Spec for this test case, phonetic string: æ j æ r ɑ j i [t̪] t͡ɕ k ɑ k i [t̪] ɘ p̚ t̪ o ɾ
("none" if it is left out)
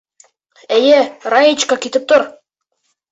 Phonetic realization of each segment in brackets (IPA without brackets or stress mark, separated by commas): none, t̪